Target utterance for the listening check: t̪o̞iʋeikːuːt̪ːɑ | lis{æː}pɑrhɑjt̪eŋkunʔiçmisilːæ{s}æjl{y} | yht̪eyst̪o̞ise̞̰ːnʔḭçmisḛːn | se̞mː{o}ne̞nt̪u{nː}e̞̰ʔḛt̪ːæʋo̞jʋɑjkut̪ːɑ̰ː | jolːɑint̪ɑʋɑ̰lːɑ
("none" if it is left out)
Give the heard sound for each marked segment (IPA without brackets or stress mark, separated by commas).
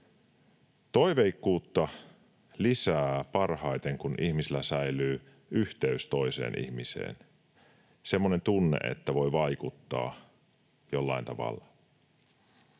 æː, s, yː, o, nː